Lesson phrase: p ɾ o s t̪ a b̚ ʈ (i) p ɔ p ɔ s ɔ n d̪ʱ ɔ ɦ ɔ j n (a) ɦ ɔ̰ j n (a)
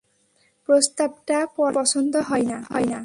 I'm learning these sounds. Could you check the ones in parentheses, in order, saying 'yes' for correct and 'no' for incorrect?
no, yes, yes

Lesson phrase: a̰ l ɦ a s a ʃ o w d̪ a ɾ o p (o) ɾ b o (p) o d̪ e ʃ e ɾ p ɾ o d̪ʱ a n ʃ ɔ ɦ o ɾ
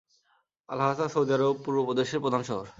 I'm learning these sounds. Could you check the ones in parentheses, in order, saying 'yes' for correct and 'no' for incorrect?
no, yes

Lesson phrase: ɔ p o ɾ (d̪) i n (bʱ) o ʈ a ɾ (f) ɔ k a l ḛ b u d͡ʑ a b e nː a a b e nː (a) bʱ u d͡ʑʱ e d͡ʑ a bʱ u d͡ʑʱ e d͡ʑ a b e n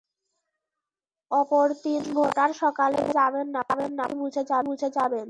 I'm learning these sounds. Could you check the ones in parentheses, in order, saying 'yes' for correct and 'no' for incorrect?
no, yes, no, yes

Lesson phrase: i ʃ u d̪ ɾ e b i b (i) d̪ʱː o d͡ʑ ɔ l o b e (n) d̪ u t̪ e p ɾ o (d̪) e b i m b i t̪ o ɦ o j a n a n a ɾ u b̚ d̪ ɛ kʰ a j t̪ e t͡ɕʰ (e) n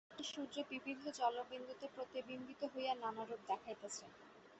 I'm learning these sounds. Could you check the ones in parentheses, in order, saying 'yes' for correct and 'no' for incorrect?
yes, yes, no, yes

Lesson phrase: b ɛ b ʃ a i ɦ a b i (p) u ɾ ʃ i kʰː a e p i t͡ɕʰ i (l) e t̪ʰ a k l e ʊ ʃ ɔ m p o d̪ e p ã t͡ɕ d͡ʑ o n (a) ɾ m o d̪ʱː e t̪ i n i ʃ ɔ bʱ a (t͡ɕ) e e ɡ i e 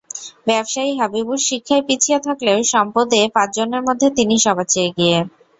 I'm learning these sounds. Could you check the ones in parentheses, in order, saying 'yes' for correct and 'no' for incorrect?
no, no, no, yes

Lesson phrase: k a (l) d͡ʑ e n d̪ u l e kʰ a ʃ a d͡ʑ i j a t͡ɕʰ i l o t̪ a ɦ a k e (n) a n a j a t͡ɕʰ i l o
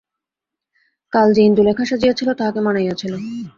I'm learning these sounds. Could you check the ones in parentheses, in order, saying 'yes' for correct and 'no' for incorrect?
yes, no

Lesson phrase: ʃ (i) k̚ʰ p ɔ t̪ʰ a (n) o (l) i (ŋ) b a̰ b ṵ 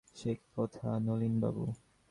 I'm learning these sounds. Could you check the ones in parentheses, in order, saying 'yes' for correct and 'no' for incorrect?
no, yes, yes, no

